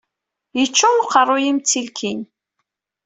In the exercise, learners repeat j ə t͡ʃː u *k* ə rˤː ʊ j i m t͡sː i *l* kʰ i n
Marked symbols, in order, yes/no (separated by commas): no, yes